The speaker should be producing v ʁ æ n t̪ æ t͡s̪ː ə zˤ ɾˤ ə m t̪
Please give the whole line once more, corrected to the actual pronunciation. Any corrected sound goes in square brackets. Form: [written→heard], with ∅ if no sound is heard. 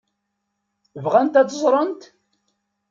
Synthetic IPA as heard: v ʁ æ n t̪ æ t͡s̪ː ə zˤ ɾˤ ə [m→n] t̪